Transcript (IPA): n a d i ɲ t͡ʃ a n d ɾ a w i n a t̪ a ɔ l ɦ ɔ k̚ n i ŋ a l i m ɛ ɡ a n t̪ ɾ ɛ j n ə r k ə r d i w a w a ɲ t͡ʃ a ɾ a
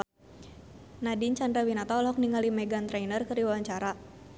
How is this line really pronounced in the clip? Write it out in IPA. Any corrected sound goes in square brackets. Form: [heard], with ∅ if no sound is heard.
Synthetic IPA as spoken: n a d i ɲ t͡ʃ a n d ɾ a w i n a t̪ a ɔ l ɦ ɔ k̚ n i ŋ a l i m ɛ ɡ a n t̪ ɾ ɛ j n ə r k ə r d i w a w a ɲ t͡ʃ a ɾ a

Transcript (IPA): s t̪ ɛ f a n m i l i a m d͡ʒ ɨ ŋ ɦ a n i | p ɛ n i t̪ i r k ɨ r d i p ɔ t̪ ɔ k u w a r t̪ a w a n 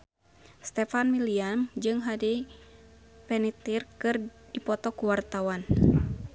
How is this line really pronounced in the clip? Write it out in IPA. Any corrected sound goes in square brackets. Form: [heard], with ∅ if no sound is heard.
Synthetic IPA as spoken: s t̪ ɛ f a n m i l i a m d͡ʒ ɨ ŋ ɦ a [d] i | p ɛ n i t̪ i r k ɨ r d i p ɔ t̪ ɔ k u w a r t̪ a w a n

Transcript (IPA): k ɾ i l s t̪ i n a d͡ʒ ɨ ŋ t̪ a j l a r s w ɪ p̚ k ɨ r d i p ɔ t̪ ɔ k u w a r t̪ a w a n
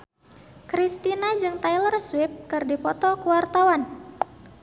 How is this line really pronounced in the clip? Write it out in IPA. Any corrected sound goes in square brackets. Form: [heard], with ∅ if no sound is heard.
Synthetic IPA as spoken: k ɾ i [∅] s t̪ i n a d͡ʒ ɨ ŋ t̪ a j l [ə] r s w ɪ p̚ k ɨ r d i p ɔ t̪ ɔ k u w a r t̪ a w a n

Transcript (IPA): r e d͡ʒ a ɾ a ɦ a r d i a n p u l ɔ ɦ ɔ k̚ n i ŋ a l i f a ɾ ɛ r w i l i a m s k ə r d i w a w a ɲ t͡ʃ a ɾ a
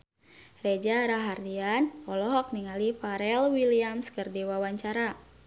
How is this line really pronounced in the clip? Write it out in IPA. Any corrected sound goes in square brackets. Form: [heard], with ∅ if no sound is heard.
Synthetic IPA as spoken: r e d͡ʒ a ɾ a ɦ a r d i a n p [ɔ] l ɔ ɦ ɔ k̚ n i ŋ a l i f a ɾ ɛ [l] w i l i a m s k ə r d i w a w a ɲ t͡ʃ a ɾ a

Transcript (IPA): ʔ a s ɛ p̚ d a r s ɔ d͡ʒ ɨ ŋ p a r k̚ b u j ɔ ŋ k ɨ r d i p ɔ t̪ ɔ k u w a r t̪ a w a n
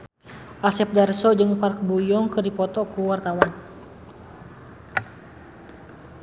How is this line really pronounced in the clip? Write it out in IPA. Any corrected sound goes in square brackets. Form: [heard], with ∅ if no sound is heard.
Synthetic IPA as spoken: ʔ a s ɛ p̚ d a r s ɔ d͡ʒ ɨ ŋ p a r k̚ b u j ɔ ŋ k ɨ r d i p ɔ t̪ ɔ k u w a r t̪ a w a n

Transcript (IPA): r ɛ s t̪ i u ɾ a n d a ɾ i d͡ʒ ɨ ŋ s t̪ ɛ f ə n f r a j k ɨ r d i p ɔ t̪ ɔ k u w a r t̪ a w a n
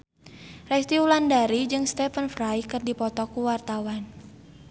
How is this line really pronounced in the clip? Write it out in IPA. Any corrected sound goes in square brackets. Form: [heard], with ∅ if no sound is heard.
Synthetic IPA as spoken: r ɛ s t̪ i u [l] a n d a ɾ i d͡ʒ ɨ ŋ s t̪ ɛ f ə n f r a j k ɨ r d i p ɔ t̪ ɔ k u w a r t̪ a w a n

